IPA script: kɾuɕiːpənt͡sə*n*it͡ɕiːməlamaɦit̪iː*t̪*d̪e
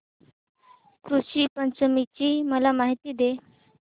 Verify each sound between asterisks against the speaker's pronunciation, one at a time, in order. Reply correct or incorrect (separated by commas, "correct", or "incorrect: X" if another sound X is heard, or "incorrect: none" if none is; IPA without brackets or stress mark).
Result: incorrect: m, incorrect: none